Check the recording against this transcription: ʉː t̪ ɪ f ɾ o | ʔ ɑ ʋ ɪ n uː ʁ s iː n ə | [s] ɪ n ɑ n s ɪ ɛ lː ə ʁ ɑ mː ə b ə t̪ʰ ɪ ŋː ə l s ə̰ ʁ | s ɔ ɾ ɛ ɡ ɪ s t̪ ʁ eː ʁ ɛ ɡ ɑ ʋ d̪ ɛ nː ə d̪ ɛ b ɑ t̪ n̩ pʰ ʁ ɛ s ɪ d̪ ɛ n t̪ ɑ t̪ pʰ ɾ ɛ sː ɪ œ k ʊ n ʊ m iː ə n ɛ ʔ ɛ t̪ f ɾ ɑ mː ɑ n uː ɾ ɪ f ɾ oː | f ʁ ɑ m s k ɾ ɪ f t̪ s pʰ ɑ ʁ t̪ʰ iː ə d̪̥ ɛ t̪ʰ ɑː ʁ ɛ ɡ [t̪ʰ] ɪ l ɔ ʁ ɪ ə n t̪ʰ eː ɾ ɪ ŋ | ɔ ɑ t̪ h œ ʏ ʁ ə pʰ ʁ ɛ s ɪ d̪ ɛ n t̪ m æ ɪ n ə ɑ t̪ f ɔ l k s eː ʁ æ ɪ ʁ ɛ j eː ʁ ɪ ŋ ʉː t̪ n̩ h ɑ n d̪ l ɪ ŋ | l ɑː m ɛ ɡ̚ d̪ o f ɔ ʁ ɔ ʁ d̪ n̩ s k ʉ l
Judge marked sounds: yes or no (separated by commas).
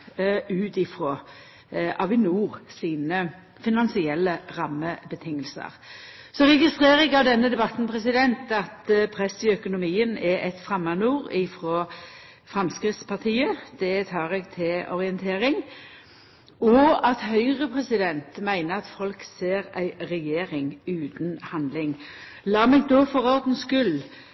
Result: no, yes